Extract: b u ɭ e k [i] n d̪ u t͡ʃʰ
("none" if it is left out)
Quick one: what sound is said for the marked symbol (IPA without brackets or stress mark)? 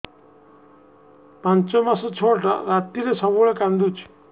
a